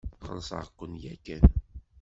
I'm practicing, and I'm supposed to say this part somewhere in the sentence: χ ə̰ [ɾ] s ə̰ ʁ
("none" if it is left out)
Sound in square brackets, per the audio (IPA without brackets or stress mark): l